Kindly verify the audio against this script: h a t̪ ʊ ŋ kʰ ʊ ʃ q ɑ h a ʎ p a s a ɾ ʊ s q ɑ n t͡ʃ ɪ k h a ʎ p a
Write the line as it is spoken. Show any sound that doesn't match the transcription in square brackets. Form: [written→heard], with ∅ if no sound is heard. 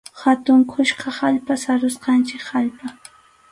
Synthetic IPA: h a t̪ ʊ ŋ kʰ ʊ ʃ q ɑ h a ʎ p a s a ɾ ʊ s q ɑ n t͡ʃ ɪ k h a ʎ p a